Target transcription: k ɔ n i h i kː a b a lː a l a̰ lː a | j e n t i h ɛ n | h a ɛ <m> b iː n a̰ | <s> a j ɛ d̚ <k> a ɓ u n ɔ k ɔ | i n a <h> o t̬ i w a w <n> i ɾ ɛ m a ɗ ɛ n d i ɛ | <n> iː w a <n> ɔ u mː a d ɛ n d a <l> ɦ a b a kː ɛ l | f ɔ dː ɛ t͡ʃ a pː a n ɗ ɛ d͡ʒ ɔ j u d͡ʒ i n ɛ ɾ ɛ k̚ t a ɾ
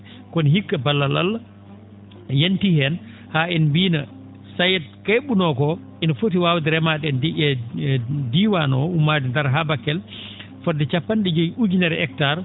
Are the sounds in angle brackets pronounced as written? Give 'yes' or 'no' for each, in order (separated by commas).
no, yes, yes, no, no, no, yes, no